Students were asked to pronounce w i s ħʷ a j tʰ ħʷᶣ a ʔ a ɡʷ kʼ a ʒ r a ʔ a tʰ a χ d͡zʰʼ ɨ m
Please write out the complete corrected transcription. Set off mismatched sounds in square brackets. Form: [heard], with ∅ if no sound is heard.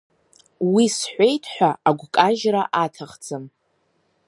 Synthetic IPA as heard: w i s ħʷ [e] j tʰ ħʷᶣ a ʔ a ɡʷ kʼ a ʒ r a ʔ a tʰ a χ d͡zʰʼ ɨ m